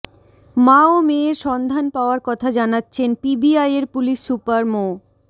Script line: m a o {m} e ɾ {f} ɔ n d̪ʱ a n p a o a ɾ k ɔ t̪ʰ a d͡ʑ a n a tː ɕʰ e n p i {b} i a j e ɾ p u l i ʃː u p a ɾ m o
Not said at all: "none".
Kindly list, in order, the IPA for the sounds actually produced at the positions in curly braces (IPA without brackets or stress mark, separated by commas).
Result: m, ʃ, b